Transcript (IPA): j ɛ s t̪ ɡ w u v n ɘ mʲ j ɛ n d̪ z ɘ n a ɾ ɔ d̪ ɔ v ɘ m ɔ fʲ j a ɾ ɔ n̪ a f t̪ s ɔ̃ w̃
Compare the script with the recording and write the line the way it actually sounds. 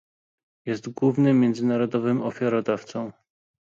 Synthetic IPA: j ɛ s t̪ ɡ w u v n ɘ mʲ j ɛ n d̪ z ɘ n a ɾ ɔ d̪ ɔ v ɘ m ɔ fʲ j a ɾ ɔ d̪ a f t̪ s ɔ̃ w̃